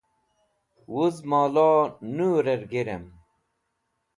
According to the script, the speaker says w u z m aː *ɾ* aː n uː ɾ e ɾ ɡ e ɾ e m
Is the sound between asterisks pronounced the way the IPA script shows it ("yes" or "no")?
no